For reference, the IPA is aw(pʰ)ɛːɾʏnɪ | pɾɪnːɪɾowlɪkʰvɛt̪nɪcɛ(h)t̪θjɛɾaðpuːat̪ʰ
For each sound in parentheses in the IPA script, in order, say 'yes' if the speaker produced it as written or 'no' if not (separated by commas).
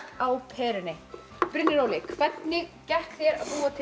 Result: yes, yes